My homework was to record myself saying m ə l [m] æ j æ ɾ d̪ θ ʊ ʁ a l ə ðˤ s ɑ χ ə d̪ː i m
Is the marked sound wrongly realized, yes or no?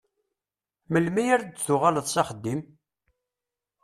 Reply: no